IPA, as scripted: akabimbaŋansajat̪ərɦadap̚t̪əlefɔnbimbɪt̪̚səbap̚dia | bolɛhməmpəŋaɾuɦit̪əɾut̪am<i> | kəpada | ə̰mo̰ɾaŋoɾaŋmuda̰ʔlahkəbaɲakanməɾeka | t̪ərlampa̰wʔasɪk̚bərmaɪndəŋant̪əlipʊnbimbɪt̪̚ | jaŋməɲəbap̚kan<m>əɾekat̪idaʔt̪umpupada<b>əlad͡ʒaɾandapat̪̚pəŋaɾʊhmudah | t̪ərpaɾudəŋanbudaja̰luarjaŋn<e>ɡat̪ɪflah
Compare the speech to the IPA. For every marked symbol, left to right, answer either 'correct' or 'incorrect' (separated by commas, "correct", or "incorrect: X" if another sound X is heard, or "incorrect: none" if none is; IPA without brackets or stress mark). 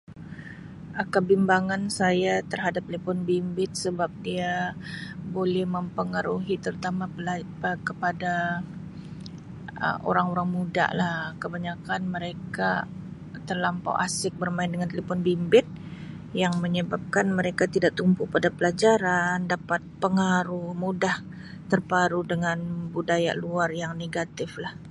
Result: incorrect: a, correct, incorrect: p, correct